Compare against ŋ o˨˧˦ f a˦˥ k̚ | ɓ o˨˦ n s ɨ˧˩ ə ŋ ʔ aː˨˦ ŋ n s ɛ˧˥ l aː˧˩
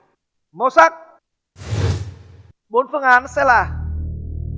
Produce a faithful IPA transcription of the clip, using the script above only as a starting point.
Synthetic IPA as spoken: m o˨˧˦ s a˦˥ k̚ | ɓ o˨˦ n f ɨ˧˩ ə ŋ ʔ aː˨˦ n s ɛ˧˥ l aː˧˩